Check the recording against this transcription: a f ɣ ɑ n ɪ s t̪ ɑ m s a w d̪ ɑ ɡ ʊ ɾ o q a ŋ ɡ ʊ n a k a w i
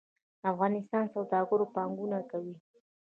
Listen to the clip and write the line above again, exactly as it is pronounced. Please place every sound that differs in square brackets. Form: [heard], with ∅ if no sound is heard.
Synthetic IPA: a f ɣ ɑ n ɪ s t̪ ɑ [n] s a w d̪ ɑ ɡ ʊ ɾ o [p] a ŋ ɡ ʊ n a k a w i